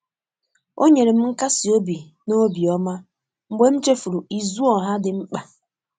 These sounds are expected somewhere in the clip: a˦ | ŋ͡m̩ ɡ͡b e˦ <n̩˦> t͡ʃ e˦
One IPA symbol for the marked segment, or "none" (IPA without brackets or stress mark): m̩˦